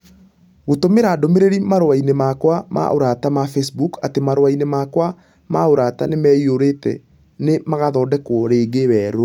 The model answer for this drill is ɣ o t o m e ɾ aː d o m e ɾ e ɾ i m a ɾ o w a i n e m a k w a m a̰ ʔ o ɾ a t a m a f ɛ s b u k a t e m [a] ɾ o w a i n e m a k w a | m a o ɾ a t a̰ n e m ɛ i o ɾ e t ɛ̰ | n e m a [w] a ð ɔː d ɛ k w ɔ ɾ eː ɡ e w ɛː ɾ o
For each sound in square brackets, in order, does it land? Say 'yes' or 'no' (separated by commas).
yes, no